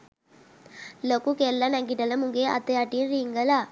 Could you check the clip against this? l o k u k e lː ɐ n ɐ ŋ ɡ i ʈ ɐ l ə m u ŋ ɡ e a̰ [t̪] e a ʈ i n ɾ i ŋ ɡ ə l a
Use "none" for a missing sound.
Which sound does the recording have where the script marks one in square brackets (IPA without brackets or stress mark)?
t̪